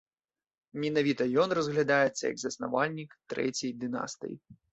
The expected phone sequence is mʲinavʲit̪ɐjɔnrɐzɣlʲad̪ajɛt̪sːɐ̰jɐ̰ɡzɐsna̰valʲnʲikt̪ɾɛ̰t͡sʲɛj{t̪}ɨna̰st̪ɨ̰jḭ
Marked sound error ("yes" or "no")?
yes